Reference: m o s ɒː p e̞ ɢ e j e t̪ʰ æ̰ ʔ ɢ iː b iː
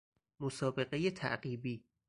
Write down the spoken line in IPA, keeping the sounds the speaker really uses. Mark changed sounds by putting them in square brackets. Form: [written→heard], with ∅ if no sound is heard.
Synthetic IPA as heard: m o s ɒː [p→b] e̞ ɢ e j e t̪ʰ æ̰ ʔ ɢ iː b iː